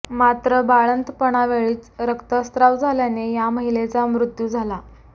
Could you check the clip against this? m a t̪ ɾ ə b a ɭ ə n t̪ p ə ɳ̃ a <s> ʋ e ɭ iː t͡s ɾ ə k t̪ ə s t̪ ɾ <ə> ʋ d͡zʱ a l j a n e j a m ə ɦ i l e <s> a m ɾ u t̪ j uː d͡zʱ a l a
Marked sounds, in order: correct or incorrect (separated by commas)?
incorrect, incorrect, incorrect